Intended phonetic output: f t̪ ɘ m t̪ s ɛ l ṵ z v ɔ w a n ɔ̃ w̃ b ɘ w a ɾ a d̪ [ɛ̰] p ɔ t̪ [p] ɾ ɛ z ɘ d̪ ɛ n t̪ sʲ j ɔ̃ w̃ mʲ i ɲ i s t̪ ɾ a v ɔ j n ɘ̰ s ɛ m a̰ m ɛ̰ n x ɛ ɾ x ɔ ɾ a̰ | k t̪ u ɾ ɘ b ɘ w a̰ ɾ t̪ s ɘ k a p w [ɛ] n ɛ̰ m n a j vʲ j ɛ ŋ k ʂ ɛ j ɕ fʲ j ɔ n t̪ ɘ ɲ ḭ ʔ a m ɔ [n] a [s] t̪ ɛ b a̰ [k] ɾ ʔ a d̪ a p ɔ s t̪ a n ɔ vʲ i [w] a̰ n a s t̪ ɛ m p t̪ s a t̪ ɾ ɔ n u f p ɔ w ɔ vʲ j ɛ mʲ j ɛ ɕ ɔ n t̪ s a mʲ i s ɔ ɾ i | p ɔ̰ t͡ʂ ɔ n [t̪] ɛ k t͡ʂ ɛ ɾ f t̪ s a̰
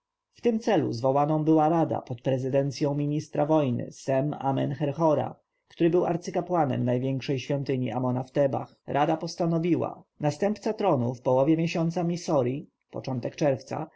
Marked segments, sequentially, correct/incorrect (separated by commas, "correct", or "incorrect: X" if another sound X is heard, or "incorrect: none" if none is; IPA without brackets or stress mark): incorrect: a̰, correct, incorrect: a, correct, incorrect: f, incorrect: x, correct, correct